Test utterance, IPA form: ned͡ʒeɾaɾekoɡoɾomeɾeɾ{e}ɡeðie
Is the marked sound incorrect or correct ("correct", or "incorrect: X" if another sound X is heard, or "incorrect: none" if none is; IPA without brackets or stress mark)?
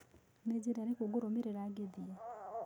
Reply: incorrect: a